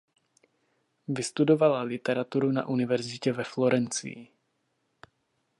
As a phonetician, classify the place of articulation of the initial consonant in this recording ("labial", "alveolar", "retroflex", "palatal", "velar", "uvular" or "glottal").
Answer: labial